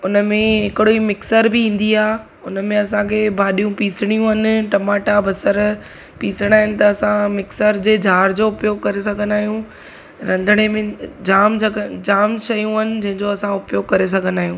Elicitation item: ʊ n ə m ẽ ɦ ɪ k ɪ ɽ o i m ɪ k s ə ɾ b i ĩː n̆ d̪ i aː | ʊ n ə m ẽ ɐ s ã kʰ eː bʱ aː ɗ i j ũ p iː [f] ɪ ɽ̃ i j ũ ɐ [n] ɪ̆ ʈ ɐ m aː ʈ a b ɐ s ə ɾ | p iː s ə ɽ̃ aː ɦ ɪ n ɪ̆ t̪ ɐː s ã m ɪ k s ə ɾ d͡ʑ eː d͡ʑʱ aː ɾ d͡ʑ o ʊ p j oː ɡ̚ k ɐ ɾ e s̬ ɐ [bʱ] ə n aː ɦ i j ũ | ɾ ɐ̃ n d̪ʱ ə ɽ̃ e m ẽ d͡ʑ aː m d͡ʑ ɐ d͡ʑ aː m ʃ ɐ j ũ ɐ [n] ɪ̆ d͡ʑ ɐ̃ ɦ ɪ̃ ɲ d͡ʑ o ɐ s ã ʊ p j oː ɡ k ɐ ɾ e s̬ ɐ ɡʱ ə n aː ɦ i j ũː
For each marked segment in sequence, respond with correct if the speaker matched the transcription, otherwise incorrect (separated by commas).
incorrect, correct, incorrect, correct